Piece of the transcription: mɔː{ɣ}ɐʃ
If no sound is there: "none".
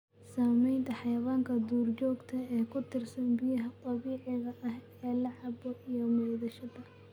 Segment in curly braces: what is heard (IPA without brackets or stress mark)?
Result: ð